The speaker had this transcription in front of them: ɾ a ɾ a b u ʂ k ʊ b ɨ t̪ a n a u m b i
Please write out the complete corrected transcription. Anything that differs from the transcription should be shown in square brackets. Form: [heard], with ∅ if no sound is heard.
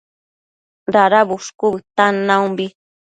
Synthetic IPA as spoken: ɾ a ɾ a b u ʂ k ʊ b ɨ t̪ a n a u m b i